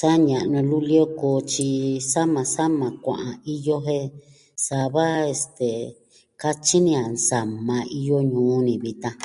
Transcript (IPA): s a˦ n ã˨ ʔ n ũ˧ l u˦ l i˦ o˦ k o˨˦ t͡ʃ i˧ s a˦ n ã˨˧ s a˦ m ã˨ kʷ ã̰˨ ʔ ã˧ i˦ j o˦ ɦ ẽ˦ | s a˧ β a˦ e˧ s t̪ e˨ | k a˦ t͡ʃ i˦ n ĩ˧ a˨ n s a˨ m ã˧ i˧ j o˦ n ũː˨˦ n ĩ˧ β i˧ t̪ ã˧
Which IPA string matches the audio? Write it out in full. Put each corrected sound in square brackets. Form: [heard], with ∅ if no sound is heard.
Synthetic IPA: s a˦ [ɲ] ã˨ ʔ n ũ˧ l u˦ l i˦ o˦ k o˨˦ t͡ʃ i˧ s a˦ [m] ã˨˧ s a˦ m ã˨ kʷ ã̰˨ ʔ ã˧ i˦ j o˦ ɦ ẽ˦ | s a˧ β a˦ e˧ s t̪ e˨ | k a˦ t͡ʃ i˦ n ĩ˧ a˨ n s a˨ m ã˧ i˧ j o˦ [ɲ] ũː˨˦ n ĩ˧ β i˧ t̪ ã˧